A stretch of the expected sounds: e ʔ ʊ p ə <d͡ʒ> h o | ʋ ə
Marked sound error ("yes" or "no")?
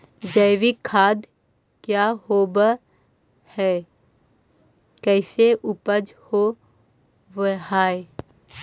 no